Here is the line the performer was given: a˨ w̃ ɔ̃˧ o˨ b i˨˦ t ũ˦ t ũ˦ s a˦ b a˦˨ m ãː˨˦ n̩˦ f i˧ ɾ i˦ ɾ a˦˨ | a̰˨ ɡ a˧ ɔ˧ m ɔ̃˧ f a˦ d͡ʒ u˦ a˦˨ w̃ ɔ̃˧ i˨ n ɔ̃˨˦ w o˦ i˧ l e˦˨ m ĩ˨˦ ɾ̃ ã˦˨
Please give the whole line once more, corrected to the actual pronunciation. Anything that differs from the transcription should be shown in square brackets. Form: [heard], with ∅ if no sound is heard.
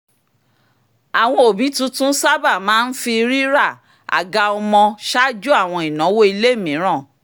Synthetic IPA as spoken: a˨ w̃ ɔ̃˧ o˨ b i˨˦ t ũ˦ t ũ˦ s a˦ b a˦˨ m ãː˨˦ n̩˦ f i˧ ɾ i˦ ɾ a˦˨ | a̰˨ ɡ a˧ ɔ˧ m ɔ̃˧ [ʃ] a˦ d͡ʒ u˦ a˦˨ w̃ ɔ̃˧ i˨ n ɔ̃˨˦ w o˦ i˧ l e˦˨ m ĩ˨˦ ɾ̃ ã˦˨

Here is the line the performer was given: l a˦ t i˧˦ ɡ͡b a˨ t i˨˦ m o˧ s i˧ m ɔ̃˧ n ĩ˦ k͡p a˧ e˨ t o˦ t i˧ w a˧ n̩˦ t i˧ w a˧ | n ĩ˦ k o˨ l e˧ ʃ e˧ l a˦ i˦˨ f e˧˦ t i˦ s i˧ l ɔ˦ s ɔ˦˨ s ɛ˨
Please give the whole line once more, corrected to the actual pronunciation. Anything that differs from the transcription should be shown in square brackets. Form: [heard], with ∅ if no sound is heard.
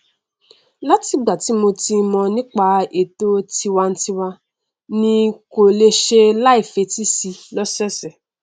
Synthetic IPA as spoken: l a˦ t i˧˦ ɡ͡b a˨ t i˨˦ m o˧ [t] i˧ m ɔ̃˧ n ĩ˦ k͡p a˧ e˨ t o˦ t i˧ w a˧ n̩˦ t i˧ w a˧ | n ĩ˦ k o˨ l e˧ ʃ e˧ l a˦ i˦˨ f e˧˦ t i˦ s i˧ l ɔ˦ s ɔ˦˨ s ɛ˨

